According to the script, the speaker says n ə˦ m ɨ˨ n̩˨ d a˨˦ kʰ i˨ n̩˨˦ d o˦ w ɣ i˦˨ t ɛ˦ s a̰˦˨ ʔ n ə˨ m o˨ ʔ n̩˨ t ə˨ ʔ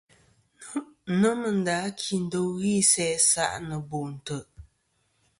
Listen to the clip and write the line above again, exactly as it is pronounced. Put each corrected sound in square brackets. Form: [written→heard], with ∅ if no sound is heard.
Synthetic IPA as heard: n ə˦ m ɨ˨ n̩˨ d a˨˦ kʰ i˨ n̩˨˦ d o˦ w ɣ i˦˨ [t→s] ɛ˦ s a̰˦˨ ʔ n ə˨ [m→b] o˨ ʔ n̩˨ t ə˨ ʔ